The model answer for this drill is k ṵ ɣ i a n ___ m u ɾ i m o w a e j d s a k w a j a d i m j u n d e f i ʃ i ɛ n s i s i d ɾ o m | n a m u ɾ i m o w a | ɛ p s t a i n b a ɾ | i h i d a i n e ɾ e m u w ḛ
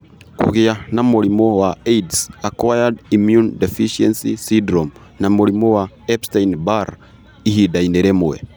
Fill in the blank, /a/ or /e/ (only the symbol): a